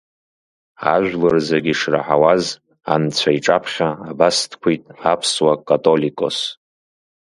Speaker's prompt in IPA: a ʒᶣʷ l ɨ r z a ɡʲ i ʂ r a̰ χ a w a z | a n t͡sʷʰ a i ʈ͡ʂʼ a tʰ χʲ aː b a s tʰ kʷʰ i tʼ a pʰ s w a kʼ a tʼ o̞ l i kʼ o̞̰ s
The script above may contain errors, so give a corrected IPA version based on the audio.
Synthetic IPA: a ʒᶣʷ l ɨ r z a ɡʲ i ʂ r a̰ ħ a w a z | a n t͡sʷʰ a i ʈ͡ʂʼ a pʰ χʲ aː b a s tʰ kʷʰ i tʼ a pʰ s w a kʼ a tʼ o̞ l i kʼ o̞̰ s